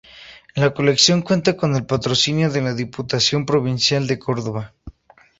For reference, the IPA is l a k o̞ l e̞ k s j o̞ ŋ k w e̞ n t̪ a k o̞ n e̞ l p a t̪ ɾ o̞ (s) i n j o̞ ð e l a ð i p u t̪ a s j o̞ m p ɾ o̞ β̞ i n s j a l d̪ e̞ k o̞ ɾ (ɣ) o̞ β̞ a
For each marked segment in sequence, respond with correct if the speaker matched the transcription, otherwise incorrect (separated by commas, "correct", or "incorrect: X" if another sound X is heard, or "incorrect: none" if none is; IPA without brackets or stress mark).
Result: correct, incorrect: ð